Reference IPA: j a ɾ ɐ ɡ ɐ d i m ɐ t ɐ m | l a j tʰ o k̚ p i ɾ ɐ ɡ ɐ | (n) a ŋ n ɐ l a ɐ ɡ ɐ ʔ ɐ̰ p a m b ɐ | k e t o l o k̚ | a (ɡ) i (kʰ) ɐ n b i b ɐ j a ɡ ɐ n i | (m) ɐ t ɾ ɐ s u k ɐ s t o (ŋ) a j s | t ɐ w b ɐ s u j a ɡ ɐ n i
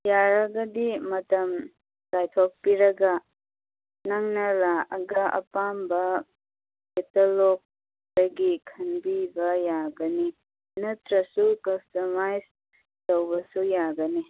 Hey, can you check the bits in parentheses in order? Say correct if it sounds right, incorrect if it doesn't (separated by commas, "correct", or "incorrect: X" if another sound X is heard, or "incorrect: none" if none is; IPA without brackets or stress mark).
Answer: correct, correct, correct, incorrect: n, incorrect: m